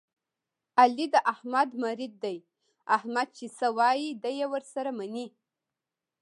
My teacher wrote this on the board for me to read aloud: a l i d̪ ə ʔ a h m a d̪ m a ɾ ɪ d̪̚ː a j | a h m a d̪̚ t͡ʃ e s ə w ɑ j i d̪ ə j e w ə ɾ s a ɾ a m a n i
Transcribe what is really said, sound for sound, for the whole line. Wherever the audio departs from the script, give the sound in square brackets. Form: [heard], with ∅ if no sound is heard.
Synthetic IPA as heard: a l i d̪ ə ʔ a h m a d̪ m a ɾ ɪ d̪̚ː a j | a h m a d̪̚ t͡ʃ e s ə w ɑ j i d̪ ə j e w ə ɾ s a ɾ a m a n i